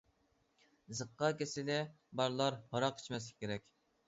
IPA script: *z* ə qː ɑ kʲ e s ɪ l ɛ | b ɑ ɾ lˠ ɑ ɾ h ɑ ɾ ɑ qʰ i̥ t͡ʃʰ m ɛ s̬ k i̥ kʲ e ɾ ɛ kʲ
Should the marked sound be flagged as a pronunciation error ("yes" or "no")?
no